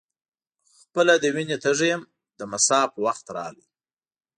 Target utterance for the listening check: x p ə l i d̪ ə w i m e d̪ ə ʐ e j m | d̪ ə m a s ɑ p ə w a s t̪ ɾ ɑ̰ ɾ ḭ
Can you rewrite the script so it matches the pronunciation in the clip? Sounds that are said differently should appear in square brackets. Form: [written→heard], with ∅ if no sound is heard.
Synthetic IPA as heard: x p ə l [i→a] d̪ ə w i [m→n] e [d̪→t̪] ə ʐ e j m | d̪ ə m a s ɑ p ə w a [s→x] t̪ ɾ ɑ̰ [ɾ→l] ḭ

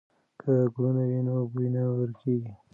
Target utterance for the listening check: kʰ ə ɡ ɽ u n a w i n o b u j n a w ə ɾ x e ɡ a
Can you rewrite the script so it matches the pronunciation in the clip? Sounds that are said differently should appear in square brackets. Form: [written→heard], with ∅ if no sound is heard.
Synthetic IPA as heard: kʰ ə ɡ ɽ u n a w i n o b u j n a w ə ɾ [x→k] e ɡ [a→i]

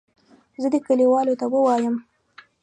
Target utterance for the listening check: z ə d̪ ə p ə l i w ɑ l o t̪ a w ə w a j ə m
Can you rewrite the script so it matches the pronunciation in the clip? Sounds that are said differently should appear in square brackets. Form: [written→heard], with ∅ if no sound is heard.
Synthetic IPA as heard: z ə d̪ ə [p→k] ə l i w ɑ l o t̪ a w ə w [a→ɑ] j ə m

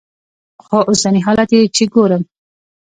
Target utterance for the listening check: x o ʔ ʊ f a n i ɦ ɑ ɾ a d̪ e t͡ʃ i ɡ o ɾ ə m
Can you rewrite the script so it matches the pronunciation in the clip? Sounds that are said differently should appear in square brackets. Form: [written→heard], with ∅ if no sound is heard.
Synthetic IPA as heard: x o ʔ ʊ [f→s] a n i ɦ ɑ [ɾ→l] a [d̪→t̪] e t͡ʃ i ɡ o ɾ ə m

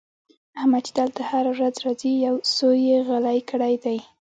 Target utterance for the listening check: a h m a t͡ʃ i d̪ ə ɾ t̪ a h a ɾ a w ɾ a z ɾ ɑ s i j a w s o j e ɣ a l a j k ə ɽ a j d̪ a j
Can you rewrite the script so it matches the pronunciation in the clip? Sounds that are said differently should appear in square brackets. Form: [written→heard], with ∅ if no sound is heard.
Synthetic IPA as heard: a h m a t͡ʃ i d̪ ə [ɾ→l] t̪ a h a ɾ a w ɾ a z ɾ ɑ [s→z] i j a w s o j e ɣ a l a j k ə ɽ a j d̪ a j

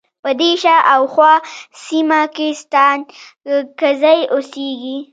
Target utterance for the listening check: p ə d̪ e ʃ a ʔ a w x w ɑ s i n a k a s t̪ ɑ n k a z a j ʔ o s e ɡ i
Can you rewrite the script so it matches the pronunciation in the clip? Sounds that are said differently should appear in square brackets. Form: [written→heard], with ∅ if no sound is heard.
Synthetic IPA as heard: p ə d̪ e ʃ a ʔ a w x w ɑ s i [n→m] a k [a→e] s t̪ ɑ n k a z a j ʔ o s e ɡ i

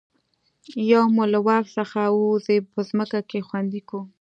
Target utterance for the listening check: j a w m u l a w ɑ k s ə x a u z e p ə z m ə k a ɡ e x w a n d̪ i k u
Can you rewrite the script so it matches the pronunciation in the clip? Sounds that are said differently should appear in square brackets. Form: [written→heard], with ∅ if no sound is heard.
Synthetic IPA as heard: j a w m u l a w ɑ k s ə x a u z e p ə z m ə k a [ɡ→k] e x w a n d̪ i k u

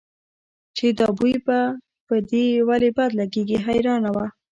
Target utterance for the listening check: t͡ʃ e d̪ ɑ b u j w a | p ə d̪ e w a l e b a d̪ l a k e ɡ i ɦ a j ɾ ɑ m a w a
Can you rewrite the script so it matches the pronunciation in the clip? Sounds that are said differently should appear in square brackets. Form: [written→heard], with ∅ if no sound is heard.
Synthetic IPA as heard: t͡ʃ e d̪ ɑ b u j [w→b] a | p ə d̪ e w a l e b a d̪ l a [k→ɡ] e ɡ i ɦ a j ɾ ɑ [m→n] a w a

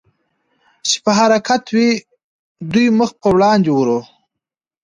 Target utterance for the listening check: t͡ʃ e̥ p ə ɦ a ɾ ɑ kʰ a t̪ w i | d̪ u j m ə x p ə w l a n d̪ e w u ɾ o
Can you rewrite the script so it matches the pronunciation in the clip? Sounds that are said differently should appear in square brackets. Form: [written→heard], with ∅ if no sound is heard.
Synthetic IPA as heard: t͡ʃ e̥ p ə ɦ a ɾ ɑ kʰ a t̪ w i | d̪ u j m ə x p ə w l [a→ɑ] n d̪ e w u ɾ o

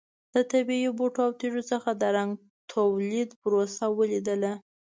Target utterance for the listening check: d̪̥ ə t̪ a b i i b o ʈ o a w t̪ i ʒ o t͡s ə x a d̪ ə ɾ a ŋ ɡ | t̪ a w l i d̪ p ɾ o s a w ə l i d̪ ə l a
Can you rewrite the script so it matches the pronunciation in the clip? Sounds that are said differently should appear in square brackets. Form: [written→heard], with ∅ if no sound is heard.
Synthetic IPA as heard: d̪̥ ə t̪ a b i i b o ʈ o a w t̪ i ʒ o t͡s ə x a d̪ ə ɾ a ŋ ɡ | [t̪→t̪ʰ] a w l i d̪ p ɾ o s a w ə l i d̪ ə l a

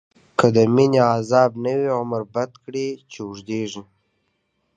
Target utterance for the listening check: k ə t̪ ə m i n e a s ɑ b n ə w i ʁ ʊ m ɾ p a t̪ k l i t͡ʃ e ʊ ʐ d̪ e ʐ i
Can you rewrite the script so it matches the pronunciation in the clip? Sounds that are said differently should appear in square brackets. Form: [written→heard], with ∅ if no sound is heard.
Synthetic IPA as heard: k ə [t̪→d̪] ə m i n e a [s→z] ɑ b n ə w i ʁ ʊ m ɾ [p→b] a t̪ k [l→ɽ] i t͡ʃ e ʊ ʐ d̪ e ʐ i

